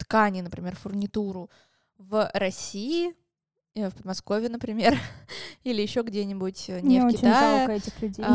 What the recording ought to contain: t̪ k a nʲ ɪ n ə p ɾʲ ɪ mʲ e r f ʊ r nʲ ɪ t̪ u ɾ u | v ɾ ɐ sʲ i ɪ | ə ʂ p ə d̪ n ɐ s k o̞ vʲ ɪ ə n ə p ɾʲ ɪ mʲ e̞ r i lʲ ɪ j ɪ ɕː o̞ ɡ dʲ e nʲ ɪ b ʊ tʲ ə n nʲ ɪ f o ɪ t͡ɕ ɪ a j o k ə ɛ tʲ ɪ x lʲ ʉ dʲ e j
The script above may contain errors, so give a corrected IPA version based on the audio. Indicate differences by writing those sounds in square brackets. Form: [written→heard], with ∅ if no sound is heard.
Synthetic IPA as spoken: t̪ k a nʲ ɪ n ə p ɾʲ ɪ mʲ e r f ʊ r nʲ ɪ t̪ u ɾ [u→ʊ] | v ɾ ɐ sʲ i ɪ | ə [ʂ→f] p ə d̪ [n→m] ɐ s k o̞ vʲ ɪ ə n ə p ɾʲ ɪ mʲ e̞ r i lʲ ɪ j ɪ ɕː o̞ ɡ dʲ e nʲ ɪ b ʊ tʲ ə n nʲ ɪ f o ɪ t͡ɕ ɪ a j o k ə ɛ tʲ ɪ x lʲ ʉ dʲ e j